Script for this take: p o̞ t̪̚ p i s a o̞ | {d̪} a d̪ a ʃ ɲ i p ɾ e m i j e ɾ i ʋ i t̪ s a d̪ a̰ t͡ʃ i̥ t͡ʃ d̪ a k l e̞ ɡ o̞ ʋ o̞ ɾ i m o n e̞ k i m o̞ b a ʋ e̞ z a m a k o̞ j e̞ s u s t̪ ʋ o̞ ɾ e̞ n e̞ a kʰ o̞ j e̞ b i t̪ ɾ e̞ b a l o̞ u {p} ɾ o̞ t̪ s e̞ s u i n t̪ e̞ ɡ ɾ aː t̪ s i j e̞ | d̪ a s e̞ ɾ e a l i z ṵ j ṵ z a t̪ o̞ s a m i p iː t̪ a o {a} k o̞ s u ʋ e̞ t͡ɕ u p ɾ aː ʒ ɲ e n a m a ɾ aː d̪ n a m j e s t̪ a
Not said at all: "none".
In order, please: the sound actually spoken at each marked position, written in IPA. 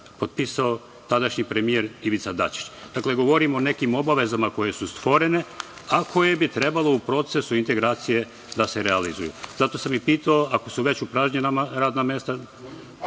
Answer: t̪, p, a

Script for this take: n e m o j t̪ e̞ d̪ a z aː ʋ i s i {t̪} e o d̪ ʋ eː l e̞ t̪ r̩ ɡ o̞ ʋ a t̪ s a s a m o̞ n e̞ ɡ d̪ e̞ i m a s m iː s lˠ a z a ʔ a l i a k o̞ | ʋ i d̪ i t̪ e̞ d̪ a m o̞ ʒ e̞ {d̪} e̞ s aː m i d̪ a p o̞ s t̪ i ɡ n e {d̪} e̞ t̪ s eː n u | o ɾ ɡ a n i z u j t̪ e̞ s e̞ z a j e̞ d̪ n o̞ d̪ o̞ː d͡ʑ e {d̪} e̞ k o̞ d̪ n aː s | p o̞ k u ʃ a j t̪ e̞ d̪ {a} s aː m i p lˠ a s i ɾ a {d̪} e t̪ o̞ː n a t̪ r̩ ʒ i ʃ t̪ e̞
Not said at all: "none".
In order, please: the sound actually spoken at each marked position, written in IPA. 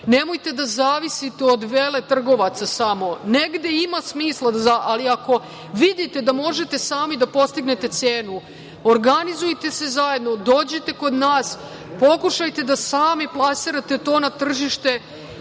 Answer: t̪, t̪, t̪, t̪, a, t̪

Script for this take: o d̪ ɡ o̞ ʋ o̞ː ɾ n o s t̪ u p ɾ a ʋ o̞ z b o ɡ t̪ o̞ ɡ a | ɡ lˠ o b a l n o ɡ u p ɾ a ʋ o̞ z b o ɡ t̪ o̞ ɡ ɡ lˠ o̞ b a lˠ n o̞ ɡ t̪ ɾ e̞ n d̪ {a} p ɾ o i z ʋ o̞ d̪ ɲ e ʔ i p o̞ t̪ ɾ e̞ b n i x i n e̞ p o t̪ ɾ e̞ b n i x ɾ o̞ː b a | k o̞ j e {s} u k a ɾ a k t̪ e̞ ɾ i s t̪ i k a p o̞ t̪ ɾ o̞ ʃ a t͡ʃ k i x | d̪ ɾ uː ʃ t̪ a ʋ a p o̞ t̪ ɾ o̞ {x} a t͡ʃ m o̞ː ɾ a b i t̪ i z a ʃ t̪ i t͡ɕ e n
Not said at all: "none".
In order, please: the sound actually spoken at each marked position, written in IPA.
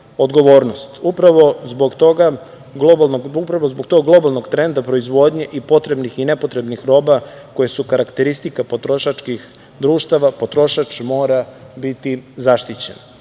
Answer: a, s, ʃ

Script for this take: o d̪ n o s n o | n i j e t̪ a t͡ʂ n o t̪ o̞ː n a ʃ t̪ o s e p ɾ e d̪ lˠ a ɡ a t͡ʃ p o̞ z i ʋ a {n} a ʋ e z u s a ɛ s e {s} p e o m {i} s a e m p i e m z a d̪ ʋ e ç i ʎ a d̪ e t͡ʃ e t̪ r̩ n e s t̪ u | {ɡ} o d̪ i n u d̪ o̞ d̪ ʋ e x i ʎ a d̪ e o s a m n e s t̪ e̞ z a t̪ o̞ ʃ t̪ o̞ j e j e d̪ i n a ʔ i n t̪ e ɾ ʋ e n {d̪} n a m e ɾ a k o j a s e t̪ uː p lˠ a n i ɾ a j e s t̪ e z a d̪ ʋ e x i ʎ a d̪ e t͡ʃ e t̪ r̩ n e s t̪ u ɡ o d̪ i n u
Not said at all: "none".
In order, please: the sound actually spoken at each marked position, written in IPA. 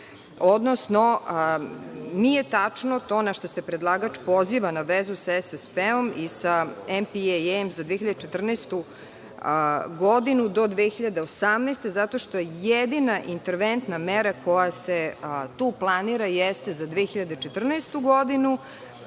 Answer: n, s, i, ɡ, t̪

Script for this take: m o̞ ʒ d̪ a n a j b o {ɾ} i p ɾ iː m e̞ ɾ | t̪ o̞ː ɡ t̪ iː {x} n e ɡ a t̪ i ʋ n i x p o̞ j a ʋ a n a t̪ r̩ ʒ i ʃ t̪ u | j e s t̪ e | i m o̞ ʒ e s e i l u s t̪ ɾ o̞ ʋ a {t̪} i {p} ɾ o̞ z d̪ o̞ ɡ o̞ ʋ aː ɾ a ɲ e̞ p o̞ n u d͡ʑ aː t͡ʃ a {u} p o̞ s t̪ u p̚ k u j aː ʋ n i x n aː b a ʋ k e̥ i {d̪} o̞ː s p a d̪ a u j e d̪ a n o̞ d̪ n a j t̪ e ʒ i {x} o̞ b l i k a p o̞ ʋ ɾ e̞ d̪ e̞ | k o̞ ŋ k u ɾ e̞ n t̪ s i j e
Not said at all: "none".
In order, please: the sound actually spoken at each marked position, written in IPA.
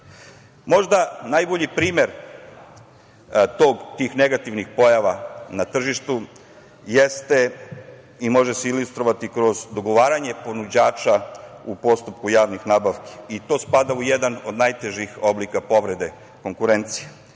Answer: ʎ, x, t̪, k, u, t̪, x

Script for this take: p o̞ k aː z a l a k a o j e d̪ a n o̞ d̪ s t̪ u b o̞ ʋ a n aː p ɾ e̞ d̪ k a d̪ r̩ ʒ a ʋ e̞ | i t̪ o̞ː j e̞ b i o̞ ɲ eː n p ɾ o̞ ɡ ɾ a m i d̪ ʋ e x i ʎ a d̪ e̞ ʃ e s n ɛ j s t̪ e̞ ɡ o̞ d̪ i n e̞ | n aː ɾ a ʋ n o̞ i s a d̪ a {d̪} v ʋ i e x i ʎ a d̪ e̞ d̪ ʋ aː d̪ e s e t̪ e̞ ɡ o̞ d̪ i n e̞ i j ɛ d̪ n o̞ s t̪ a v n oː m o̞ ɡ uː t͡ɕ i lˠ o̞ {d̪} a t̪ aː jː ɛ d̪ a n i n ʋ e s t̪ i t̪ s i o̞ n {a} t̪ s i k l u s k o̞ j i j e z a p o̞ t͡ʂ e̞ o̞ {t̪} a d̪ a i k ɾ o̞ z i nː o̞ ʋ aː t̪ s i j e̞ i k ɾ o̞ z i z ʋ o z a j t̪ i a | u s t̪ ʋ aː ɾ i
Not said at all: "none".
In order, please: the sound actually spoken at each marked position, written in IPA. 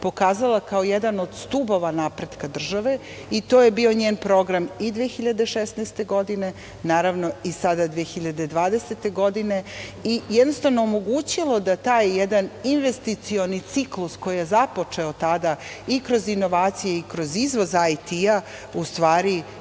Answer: d̪, d̪, i, t̪

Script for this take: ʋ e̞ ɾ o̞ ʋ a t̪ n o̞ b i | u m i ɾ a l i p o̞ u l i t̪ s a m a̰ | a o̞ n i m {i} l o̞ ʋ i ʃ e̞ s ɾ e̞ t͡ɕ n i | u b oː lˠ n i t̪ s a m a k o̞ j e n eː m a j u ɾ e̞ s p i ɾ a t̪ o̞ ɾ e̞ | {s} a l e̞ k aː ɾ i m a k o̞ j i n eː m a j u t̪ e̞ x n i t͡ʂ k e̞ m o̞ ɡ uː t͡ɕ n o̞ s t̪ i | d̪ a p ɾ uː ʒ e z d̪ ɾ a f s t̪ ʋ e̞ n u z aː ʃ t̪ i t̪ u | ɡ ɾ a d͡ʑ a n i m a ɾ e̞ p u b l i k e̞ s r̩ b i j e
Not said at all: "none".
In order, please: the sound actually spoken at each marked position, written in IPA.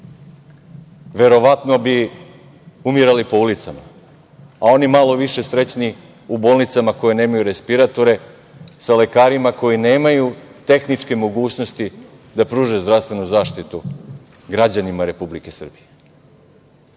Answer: a, s

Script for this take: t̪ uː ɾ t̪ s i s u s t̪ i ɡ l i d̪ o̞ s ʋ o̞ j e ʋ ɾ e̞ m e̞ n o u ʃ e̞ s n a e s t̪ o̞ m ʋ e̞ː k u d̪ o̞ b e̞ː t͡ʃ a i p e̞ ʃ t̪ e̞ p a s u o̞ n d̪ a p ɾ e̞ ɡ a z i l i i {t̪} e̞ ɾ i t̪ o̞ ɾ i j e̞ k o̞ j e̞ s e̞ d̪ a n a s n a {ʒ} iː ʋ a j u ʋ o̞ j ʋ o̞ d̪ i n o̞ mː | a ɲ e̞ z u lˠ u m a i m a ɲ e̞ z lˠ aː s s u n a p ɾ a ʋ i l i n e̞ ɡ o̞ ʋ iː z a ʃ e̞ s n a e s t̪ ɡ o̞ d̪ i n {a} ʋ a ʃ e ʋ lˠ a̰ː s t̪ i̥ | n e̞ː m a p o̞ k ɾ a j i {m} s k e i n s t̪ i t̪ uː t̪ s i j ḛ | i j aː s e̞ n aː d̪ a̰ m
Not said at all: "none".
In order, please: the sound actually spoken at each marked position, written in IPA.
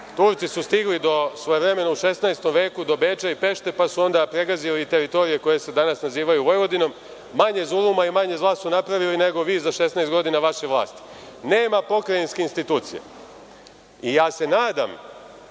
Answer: t̪, z, a, n

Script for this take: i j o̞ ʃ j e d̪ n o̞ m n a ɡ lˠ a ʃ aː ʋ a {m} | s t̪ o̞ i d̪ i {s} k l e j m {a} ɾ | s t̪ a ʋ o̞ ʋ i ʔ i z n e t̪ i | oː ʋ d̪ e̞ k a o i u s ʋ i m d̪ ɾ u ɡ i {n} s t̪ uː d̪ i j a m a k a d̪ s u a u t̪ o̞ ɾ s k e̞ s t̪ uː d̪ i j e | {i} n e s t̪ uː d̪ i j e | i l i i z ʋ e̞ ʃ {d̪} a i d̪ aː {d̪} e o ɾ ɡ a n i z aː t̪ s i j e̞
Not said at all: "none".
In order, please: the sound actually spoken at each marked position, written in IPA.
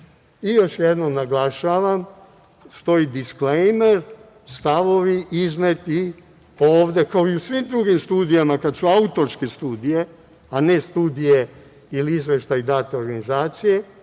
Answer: m, s, e, m, a, t̪, t̪

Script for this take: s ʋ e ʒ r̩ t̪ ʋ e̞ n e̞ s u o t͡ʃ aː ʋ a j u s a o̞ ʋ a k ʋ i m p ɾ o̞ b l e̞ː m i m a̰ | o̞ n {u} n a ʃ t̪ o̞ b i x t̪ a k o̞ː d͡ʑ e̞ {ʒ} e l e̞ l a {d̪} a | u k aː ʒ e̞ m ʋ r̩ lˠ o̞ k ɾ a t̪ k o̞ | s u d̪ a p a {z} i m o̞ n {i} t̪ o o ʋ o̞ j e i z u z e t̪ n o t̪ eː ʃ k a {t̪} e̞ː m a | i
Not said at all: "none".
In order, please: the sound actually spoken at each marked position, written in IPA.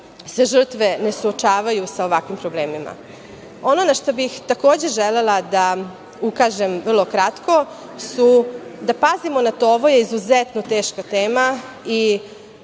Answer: o, ʒ, d̪, z, a, t̪

